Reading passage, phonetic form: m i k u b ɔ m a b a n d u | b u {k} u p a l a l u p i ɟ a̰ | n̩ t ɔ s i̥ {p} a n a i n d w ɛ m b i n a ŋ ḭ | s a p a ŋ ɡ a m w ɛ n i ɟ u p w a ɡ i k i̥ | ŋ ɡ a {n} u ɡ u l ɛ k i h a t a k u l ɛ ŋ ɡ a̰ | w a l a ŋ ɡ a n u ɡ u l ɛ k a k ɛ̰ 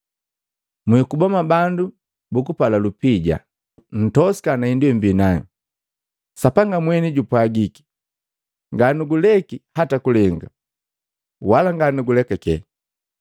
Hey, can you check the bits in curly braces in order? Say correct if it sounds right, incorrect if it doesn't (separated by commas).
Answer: correct, incorrect, correct